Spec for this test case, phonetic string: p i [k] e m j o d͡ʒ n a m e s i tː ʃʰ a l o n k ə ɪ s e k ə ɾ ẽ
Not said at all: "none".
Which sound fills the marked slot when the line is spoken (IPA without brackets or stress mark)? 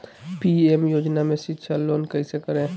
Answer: none